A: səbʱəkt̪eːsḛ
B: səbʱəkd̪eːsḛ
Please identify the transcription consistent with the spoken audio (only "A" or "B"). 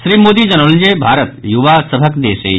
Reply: B